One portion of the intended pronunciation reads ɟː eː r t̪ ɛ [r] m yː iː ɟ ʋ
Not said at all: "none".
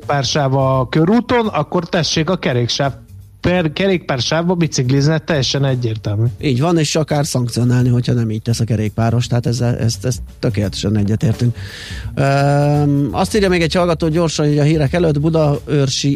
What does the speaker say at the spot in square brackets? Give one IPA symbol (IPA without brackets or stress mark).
l